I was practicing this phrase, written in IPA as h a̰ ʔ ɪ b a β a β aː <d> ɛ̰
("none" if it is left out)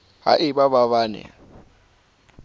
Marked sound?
n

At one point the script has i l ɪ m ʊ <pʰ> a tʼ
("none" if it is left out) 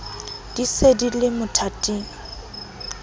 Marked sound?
tʰ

